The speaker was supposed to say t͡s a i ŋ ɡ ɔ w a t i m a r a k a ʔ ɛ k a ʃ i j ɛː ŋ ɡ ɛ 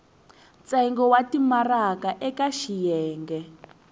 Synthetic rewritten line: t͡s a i ŋ ɡ ɔ w a t i m a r a k a ʔ ɛ k a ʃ i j ɛː ŋ ɡ ɛ